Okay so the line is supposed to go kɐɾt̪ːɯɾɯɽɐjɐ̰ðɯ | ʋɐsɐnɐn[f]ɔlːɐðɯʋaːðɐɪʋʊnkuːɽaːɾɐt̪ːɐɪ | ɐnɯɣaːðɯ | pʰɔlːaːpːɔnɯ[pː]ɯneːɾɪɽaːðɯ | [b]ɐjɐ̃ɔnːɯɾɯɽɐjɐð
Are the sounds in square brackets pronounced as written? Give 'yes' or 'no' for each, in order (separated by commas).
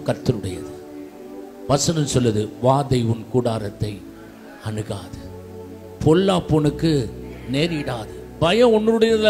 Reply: no, no, yes